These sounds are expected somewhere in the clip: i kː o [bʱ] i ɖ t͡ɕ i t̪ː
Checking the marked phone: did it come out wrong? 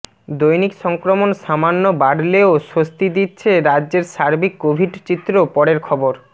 no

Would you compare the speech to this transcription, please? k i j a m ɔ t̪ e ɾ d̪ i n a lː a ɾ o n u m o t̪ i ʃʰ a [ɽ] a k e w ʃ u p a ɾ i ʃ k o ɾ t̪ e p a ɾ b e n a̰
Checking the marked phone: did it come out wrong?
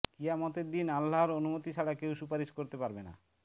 no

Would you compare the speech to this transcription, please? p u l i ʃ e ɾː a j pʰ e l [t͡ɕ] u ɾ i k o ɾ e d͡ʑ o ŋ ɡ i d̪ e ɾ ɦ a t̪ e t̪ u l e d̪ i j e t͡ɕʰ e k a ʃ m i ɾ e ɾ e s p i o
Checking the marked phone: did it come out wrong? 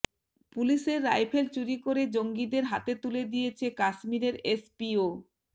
no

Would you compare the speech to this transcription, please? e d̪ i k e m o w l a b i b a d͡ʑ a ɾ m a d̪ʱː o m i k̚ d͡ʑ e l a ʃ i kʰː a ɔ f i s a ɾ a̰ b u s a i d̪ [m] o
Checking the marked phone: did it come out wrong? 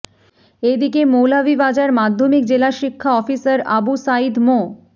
no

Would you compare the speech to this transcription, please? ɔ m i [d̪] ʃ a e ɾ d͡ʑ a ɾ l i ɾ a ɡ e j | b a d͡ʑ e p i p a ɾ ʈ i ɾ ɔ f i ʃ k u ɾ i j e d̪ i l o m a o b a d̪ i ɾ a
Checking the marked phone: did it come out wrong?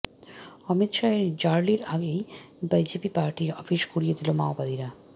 yes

